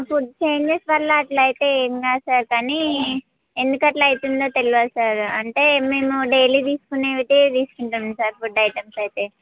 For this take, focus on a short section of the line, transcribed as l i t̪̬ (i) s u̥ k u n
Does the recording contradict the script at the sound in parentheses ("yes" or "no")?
yes